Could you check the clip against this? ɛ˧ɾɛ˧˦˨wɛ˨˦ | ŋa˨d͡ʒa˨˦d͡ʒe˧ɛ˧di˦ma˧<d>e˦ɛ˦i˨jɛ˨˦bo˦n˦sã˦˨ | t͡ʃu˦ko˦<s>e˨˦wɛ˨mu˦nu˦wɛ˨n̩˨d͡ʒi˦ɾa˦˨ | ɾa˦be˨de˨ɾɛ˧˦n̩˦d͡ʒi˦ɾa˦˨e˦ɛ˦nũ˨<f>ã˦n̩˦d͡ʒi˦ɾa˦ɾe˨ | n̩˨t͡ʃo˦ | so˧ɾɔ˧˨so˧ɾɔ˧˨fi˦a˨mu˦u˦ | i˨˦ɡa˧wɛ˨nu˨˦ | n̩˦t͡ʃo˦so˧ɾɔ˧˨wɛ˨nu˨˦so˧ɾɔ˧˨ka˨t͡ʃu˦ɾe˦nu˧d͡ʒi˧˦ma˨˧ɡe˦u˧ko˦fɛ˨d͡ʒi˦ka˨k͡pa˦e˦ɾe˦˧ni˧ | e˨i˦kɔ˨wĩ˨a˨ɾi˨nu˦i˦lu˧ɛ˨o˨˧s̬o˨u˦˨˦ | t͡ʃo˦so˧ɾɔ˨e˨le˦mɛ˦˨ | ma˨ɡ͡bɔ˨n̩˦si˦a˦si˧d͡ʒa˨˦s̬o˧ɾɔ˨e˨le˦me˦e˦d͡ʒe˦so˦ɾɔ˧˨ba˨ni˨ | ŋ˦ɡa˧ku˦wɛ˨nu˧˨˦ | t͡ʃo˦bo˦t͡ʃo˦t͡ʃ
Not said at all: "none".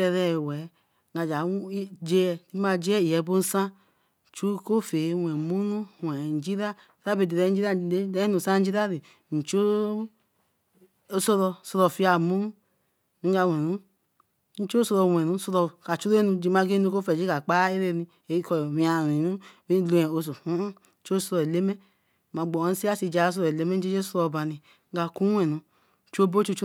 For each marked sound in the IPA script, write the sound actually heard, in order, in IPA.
d͡ʒ, f, s

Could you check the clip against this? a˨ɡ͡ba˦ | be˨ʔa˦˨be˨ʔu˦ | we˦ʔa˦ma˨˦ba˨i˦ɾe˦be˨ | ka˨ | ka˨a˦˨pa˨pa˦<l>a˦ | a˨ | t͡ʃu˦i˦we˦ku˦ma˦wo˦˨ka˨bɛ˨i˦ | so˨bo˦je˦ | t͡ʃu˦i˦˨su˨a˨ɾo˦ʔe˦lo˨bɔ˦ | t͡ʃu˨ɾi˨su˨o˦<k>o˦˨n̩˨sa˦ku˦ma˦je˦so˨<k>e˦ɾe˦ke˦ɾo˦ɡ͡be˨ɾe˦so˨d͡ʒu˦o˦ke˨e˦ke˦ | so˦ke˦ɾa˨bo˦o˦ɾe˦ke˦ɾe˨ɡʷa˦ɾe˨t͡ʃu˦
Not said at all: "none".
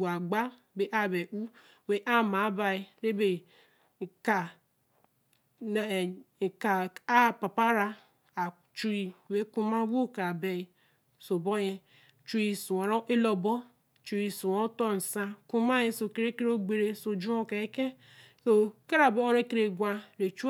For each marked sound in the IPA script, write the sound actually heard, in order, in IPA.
ɾ, t, k

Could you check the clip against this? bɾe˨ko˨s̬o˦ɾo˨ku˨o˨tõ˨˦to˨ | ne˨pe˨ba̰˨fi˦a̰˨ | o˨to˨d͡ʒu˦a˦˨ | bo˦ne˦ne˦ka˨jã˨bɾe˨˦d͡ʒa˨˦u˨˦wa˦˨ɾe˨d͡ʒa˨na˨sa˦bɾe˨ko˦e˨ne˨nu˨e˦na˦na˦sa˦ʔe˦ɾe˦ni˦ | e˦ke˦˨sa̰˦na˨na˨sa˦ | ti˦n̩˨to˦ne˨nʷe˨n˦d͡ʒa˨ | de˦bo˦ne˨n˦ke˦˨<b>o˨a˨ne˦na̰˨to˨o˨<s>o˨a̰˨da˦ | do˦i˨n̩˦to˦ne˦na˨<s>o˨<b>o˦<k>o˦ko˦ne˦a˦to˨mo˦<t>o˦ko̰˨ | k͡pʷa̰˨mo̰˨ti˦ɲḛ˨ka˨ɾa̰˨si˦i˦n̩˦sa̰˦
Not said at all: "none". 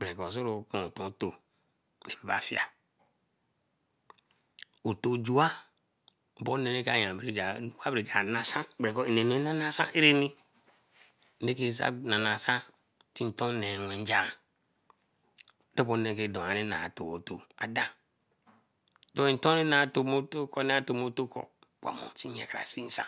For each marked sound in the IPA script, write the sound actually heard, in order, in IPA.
d, t, t, m, t, t

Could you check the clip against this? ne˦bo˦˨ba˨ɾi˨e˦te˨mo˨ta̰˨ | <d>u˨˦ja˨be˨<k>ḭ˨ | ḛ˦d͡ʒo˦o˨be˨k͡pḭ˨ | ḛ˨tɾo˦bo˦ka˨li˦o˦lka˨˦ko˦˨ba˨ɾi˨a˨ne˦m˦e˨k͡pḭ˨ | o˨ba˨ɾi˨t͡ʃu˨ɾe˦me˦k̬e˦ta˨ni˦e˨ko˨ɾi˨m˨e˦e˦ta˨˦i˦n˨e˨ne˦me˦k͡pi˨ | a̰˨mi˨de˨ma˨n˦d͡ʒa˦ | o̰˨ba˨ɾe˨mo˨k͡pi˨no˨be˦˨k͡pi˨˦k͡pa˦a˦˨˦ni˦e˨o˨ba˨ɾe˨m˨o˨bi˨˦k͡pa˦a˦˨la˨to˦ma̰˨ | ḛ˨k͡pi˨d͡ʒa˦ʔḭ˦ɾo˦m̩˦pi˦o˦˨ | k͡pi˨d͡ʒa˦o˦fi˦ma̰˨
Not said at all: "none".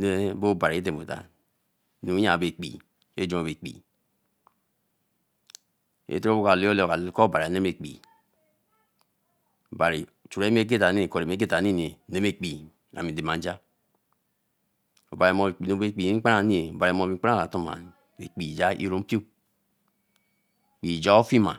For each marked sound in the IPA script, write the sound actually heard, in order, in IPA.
n, k͡p

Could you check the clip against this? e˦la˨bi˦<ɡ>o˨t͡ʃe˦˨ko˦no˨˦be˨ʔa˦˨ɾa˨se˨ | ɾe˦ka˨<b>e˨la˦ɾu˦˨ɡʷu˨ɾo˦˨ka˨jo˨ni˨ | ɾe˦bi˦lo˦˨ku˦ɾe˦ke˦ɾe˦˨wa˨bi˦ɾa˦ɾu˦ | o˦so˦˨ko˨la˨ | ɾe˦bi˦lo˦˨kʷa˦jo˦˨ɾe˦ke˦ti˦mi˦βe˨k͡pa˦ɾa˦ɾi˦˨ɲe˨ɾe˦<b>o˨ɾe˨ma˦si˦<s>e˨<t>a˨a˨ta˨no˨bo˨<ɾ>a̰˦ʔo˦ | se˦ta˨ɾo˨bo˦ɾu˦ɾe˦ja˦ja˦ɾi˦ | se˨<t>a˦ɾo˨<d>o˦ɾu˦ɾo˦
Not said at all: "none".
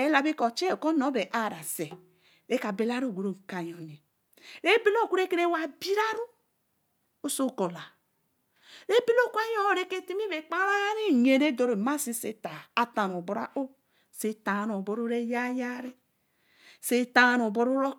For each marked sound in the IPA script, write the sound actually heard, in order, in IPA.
k, b, d, s, t, ɾ, t, b

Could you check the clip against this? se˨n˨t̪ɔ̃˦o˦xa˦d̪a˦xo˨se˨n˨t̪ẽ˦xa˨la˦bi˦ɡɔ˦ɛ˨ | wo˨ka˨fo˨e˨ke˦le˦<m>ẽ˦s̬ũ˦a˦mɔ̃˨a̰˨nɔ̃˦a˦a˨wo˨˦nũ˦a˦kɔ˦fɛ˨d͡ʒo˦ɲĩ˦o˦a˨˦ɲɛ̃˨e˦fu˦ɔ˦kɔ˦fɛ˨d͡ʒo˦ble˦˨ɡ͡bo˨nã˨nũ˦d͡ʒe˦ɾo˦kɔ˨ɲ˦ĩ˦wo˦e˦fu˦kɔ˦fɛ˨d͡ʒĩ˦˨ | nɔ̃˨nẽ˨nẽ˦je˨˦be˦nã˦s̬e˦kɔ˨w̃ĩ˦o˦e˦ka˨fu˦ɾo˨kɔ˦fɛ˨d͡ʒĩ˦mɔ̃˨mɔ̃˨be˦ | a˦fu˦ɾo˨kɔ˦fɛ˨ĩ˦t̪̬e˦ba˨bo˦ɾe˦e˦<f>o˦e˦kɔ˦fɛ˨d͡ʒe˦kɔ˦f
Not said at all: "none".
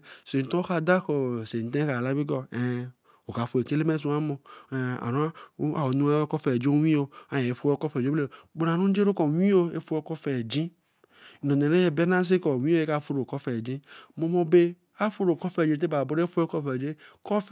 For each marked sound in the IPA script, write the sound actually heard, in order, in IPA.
m, f

